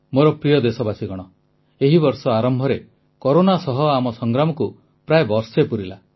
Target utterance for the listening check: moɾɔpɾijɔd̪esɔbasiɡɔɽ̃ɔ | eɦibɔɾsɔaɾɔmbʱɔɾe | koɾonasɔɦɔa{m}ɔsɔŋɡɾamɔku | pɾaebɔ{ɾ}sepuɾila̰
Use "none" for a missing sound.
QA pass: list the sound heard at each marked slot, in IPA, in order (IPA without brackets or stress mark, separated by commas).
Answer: m, ɾ